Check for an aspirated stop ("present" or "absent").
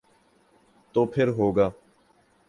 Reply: present